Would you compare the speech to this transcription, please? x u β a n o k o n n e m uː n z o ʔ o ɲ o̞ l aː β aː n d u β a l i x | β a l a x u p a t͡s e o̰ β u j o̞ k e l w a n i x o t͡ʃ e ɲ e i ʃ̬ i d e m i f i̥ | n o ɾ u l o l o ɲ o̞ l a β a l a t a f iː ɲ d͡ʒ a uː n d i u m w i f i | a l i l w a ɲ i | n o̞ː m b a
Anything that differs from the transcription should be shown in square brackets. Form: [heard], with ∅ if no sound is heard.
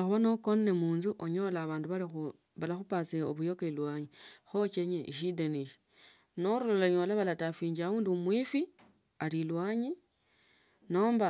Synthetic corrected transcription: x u β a n o k o n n e m uː n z [u] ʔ o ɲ o̞ l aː β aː n d u β a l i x | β a l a x u p a t͡s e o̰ β u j o̞ k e l w a [ɲ] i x o t͡ʃ e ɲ e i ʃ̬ i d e [n] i [ʃ] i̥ | n o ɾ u l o l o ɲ o̞ l a β a l a t a f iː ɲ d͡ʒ a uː n d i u m w i f i | a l i l w a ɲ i | n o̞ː m b a